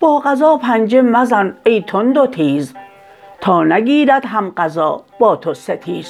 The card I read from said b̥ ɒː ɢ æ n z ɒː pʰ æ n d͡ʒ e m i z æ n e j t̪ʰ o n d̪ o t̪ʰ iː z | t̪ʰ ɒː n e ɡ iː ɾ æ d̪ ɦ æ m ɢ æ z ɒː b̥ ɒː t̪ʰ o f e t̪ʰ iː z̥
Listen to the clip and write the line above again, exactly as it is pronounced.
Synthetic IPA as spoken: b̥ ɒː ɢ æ z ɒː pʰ æ n d͡ʒ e m æ z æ n e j t̪ʰ o n d̪ o t̪ʰ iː z | t̪ʰ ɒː n æ ɡ iː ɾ æ d̪ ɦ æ m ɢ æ z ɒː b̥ ɒː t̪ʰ o s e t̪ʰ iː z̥